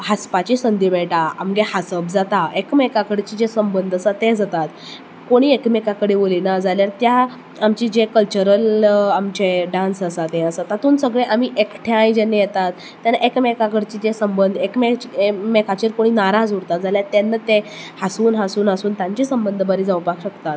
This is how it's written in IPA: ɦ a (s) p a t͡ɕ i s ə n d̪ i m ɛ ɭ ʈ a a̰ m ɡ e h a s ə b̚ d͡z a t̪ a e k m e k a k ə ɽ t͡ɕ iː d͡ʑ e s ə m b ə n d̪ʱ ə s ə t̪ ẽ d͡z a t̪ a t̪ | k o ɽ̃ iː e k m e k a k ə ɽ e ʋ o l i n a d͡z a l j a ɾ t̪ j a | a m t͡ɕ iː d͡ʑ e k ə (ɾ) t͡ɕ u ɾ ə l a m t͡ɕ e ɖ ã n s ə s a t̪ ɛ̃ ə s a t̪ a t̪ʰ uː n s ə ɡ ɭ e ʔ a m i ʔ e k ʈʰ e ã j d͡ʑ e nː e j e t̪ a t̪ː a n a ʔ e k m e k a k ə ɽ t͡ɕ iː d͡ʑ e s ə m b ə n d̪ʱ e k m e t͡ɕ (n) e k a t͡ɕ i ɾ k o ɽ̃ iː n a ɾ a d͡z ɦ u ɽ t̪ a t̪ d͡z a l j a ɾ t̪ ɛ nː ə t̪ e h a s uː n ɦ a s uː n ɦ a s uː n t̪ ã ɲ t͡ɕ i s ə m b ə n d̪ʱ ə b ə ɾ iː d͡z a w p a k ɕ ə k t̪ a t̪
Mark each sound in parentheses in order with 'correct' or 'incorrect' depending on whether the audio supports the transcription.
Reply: correct, incorrect, incorrect

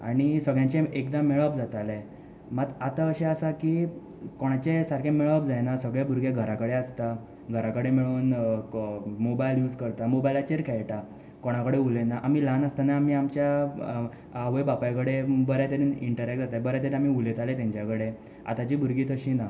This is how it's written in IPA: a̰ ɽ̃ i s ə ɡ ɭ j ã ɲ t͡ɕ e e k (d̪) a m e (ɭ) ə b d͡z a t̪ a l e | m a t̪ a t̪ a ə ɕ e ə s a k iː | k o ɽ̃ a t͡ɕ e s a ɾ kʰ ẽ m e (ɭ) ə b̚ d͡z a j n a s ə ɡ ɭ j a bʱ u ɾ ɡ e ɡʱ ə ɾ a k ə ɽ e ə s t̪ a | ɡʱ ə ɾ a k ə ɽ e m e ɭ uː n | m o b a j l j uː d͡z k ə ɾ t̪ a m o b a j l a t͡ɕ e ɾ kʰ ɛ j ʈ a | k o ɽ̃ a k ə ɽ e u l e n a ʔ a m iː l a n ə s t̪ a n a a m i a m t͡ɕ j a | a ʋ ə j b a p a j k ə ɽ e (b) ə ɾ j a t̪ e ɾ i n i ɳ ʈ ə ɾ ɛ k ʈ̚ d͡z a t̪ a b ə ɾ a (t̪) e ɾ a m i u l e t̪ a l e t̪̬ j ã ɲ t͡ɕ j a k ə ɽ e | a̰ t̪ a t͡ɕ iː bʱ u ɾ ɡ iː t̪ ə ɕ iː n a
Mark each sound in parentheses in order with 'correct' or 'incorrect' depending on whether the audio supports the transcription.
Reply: correct, correct, correct, correct, correct

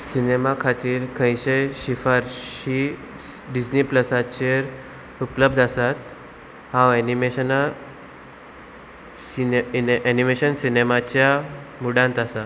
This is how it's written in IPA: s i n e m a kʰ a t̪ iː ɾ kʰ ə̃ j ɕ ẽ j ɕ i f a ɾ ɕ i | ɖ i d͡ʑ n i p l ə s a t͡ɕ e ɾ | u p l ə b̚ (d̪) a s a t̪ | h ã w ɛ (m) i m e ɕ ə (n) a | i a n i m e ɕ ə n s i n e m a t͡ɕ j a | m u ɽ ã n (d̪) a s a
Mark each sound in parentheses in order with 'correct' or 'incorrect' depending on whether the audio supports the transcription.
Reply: correct, incorrect, correct, incorrect

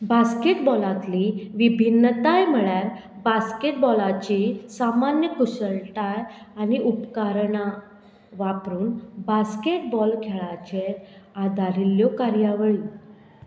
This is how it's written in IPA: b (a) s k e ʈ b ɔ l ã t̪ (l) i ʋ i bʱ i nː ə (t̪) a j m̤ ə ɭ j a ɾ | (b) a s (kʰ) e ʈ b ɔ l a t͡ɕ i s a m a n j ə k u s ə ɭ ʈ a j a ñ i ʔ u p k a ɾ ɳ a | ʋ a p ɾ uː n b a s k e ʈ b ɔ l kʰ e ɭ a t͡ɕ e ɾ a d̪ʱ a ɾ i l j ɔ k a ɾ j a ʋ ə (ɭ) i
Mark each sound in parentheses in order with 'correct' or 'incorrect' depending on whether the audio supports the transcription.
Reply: correct, correct, correct, correct, incorrect, correct

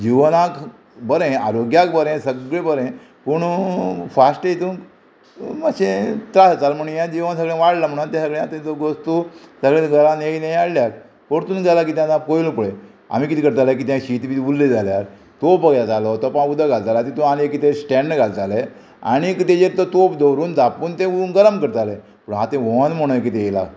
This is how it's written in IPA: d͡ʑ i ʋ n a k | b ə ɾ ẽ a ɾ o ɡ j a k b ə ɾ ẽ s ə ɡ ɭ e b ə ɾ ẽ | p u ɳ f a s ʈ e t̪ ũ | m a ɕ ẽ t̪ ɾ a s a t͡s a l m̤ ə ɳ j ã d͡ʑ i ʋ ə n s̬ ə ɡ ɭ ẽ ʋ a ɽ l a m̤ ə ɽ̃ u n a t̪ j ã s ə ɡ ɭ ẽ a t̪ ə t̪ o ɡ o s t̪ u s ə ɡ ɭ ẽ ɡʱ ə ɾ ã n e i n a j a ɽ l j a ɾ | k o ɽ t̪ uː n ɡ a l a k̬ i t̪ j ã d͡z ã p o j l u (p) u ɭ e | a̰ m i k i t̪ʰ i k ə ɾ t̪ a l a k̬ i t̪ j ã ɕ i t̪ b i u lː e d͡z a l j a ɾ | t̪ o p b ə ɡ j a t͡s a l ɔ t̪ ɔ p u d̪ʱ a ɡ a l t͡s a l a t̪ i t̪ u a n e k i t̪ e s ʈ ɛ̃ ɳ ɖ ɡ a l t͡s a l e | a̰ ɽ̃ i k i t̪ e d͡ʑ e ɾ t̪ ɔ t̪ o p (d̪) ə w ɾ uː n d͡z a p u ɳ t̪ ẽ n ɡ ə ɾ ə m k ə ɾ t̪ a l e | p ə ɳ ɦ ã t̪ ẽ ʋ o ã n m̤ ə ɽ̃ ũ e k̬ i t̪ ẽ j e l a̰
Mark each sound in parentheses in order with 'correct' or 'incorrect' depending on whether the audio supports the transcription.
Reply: correct, correct

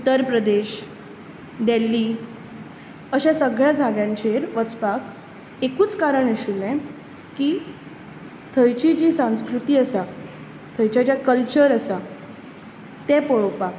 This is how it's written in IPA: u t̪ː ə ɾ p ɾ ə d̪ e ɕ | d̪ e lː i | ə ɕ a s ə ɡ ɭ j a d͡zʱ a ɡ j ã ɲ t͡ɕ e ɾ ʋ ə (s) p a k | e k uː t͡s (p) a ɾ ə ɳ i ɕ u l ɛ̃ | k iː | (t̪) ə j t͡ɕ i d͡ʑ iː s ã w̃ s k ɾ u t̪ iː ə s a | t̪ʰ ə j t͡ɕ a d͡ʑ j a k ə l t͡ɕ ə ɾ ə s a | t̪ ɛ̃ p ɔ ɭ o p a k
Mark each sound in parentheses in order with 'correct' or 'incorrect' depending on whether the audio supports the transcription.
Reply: incorrect, incorrect, incorrect

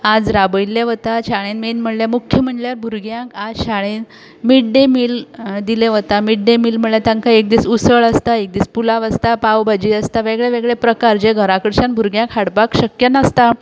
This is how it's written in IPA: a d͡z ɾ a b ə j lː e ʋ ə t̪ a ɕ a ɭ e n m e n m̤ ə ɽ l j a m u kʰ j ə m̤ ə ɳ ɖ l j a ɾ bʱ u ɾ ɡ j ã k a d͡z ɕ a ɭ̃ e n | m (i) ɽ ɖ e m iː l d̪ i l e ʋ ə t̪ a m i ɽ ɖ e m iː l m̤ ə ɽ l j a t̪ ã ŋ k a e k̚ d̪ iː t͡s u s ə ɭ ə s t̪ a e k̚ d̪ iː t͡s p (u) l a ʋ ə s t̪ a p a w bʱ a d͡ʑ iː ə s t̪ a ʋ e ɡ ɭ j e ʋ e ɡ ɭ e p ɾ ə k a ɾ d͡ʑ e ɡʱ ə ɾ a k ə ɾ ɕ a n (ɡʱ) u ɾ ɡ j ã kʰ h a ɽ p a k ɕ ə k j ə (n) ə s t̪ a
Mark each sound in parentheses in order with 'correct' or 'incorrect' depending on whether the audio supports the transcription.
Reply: correct, correct, incorrect, correct

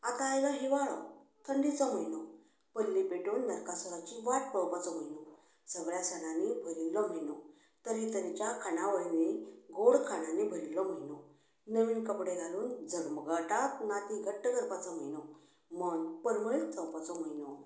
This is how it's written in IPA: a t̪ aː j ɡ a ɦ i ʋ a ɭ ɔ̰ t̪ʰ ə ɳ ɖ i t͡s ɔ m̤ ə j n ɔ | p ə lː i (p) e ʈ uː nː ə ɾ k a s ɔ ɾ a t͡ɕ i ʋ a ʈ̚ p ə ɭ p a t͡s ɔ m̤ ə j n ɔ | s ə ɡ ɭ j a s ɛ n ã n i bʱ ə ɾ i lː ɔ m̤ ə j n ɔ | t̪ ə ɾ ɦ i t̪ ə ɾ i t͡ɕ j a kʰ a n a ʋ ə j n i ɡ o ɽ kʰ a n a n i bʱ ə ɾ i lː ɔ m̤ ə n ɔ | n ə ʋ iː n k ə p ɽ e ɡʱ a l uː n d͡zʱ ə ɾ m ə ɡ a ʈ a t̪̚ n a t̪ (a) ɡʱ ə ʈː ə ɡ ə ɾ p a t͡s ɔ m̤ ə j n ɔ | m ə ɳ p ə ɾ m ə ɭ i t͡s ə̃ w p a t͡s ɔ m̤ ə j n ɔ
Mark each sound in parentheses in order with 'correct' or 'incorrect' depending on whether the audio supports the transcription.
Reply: correct, incorrect

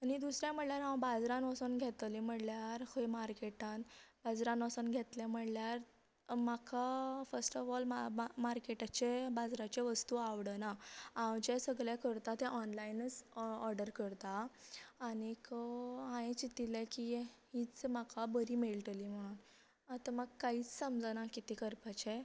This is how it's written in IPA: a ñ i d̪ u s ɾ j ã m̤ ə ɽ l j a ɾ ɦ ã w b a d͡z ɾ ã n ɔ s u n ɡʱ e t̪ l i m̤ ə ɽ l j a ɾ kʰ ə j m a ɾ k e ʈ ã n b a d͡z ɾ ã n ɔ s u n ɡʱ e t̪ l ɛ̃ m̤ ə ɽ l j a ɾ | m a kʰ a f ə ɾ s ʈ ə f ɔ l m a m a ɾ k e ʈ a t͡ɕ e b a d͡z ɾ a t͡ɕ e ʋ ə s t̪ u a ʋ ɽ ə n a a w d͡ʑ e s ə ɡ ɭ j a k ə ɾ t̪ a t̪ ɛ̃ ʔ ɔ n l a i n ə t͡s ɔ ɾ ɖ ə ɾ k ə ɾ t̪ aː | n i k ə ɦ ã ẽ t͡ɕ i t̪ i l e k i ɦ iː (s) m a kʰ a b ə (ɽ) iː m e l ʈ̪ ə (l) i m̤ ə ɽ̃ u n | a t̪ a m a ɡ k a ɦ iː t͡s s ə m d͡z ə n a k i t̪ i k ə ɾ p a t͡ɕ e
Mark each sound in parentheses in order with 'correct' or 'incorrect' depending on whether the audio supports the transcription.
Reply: incorrect, incorrect, correct

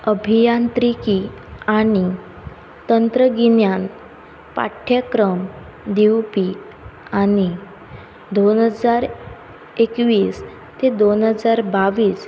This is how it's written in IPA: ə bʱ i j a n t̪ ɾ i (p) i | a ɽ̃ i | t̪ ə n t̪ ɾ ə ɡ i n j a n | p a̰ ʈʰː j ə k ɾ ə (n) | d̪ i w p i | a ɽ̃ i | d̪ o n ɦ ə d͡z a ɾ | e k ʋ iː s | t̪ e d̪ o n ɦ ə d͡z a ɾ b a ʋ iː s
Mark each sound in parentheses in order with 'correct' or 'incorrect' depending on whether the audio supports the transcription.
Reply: incorrect, incorrect

